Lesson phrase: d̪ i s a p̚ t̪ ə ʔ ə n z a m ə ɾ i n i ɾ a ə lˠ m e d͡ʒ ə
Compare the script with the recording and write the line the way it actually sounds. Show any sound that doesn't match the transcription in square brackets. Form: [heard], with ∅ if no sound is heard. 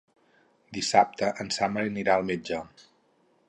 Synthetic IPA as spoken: d̪ i s a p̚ t̪ ə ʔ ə n [s] a m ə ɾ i n i ɾ a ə lˠ m e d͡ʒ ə